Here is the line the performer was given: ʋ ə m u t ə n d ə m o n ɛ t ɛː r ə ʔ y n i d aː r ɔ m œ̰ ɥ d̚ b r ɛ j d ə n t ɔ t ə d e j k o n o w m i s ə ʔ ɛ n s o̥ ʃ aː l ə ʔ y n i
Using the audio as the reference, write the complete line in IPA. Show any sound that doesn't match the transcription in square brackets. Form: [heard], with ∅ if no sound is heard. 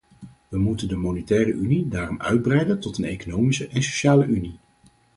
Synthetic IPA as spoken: ʋ ə m u t ə n d ə m o n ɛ t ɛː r ə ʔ y n i d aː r ɔ m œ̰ ɥ d̚ b r ɛ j d ə n t ɔ t ə [n] e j k o n o w m i s ə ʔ ɛ n s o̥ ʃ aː l ə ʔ y n i